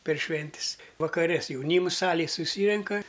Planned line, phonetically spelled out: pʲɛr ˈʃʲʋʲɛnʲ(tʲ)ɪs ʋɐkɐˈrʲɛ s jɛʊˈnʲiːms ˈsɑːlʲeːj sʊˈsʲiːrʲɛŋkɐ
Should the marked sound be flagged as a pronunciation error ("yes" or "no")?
no